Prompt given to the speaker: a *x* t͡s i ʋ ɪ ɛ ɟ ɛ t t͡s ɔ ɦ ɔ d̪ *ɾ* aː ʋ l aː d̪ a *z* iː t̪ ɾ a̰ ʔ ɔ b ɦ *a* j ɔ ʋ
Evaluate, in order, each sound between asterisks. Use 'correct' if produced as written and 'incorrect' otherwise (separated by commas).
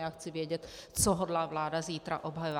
correct, incorrect, correct, correct